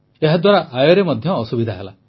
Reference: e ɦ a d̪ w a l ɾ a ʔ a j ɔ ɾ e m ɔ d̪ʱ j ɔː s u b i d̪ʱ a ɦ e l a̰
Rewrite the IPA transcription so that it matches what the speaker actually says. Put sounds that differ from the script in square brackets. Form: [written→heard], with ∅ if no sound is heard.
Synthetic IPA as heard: e ɦ a d̪ w a [l→∅] ɾ a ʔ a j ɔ ɾ e m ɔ d̪ʱ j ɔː s u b i d̪ʱ a ɦ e l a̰